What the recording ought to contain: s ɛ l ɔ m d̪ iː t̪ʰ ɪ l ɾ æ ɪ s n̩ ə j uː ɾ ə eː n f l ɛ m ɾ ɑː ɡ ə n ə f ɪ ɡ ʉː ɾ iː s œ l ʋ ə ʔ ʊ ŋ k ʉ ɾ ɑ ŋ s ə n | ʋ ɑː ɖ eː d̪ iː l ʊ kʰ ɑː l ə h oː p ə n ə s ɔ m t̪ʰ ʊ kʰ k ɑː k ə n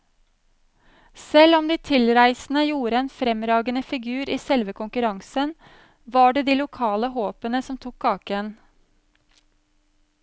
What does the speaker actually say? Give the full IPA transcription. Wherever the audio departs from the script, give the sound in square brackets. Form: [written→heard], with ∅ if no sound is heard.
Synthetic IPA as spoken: s ɛ l ɔ m d̪ iː t̪ʰ ɪ l ɾ æ ɪ s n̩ ə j uː ɾ ə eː n f [l→ɾ] ɛ m ɾ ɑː ɡ ə n ə f ɪ ɡ ʉː ɾ iː s [œ→ɛ] l ʋ ə [ʔ→k] ʊ ŋ k ʉ ɾ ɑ ŋ s ə n | ʋ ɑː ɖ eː d̪ iː l ʊ kʰ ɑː l ə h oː p ə n ə s ɔ m t̪ʰ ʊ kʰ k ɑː k ə n